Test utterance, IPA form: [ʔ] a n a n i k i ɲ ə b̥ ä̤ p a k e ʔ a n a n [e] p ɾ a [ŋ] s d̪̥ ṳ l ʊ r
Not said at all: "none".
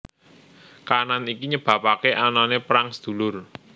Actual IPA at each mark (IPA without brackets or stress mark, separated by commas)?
k, e, ŋ